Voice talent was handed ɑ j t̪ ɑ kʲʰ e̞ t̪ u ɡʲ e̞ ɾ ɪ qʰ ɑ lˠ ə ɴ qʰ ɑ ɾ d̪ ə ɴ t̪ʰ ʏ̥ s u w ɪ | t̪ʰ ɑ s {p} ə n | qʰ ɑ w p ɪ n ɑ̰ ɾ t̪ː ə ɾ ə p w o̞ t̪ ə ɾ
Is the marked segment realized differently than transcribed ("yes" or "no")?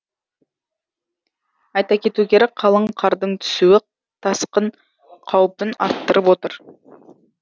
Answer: yes